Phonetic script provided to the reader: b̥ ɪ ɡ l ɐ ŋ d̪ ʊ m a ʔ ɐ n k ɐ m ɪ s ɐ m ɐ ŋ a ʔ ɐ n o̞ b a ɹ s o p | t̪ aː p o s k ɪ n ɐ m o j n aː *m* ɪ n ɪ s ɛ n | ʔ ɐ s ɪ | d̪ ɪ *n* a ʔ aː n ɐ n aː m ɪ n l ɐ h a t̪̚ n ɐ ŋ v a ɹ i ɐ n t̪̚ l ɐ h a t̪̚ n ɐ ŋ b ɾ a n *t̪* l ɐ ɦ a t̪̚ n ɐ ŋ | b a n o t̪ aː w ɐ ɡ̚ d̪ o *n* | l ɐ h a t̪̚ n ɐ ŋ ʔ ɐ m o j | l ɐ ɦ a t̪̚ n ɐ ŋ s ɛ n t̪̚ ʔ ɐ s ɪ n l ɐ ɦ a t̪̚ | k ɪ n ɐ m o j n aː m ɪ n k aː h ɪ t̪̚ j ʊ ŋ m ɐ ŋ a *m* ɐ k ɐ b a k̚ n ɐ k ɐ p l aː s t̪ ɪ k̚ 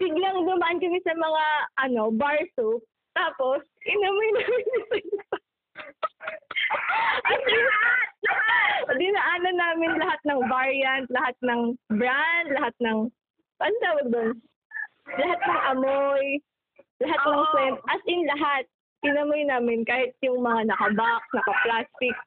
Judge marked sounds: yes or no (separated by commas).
yes, yes, no, yes, no